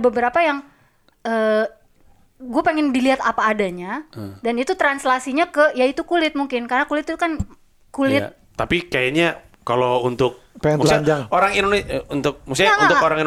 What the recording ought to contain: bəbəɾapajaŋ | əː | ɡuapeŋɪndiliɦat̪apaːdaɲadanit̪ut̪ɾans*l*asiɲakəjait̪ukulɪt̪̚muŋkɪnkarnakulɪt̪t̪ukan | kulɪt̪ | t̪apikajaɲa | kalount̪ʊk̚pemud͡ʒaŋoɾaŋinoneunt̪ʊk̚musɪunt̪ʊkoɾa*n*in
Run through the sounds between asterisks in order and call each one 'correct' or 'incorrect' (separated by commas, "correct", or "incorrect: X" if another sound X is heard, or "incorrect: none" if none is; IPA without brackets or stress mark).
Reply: correct, incorrect: ŋ